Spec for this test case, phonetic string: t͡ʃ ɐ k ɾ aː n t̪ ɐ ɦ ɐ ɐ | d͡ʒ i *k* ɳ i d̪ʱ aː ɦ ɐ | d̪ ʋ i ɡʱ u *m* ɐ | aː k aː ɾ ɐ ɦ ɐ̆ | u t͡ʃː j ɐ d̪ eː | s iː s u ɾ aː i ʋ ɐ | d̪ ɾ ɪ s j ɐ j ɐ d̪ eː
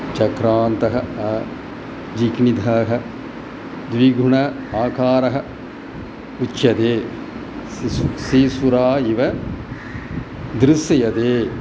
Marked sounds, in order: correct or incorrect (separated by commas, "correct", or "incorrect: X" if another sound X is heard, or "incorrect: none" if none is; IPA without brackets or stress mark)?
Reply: correct, incorrect: ɳ